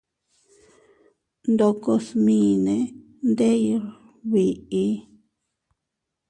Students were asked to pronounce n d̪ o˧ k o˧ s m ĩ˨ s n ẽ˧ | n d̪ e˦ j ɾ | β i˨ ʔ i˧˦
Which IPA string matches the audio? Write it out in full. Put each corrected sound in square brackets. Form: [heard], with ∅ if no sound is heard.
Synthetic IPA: n d̪ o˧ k o˧ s m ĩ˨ [∅] n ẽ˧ | n d̪ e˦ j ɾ | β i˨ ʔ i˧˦